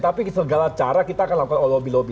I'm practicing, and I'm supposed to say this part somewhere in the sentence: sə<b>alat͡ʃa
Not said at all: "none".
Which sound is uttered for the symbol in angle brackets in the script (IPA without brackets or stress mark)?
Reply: ɡ